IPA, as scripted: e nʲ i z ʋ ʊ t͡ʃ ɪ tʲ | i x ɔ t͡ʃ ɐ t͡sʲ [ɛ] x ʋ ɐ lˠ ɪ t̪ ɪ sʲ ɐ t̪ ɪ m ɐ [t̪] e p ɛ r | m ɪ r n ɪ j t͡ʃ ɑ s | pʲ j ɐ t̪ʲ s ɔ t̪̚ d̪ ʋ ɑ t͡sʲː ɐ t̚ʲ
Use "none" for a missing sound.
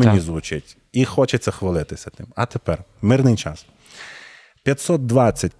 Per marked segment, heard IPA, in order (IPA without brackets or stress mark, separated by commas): ɛ, t̪